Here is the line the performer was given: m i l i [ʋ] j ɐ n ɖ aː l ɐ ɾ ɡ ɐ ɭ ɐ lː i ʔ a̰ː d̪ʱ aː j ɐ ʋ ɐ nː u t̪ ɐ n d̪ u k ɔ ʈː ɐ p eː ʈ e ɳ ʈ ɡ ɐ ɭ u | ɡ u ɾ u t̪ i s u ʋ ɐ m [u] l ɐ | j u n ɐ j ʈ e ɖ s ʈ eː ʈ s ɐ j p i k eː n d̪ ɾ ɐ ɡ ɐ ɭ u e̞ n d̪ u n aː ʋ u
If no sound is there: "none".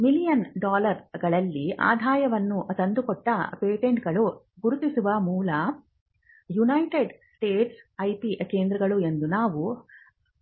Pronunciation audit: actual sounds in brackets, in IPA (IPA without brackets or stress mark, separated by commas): none, uː